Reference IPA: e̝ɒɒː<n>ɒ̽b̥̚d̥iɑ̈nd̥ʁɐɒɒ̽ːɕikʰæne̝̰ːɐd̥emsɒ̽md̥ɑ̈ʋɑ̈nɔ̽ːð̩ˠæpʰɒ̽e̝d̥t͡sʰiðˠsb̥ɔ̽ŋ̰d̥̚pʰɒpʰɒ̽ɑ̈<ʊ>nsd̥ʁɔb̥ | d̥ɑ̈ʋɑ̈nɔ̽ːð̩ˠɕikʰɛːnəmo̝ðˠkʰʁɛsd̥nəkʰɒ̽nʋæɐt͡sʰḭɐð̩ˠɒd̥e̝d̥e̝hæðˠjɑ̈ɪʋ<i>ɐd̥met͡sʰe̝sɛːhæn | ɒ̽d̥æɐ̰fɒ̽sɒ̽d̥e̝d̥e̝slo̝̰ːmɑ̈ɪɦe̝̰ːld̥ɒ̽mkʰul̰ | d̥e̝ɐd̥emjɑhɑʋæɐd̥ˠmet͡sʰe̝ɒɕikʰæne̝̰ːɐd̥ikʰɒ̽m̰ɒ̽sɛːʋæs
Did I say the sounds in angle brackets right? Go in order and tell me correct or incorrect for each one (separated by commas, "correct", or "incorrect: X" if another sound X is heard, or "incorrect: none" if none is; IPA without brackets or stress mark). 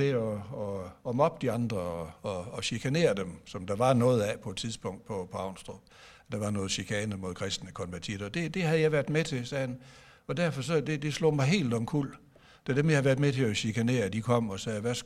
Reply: incorrect: m, correct, incorrect: æ